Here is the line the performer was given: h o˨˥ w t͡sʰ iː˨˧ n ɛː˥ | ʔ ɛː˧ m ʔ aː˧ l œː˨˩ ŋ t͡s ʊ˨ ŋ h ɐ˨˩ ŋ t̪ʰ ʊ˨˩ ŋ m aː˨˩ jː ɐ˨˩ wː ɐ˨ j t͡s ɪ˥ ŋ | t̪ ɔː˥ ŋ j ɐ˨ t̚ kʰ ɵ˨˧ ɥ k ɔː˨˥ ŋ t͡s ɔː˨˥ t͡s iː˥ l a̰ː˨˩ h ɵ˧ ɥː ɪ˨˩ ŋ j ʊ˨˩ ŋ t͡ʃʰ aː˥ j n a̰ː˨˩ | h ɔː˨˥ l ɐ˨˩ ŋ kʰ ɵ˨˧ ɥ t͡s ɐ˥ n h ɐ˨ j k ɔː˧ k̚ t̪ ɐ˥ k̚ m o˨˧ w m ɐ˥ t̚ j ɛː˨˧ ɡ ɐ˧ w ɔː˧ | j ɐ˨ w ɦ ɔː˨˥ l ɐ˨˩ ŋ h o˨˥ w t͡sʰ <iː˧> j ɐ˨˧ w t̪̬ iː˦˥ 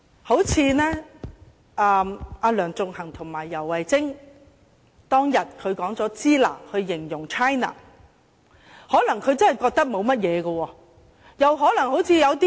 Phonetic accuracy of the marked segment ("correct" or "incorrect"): correct